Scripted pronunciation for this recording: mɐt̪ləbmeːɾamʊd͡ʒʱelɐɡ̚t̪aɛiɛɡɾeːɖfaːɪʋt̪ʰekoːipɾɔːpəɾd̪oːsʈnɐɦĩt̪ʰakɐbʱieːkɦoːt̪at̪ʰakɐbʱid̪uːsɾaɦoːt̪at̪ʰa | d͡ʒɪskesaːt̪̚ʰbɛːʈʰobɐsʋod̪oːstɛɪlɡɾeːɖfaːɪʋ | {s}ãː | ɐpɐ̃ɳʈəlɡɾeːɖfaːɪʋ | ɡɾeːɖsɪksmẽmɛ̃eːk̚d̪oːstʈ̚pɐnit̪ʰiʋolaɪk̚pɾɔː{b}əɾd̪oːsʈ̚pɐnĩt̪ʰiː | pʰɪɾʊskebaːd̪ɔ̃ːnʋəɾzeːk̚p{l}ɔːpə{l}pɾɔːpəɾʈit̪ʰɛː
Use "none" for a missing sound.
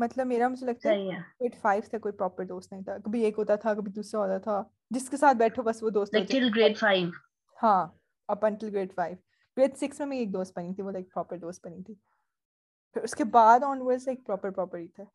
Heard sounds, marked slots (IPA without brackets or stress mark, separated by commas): h, p, ɾ, ɾ